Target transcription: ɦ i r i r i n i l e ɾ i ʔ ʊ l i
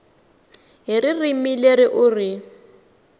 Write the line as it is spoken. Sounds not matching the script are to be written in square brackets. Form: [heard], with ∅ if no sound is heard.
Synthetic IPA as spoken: ɦ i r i r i [m] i l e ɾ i ʔ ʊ [r] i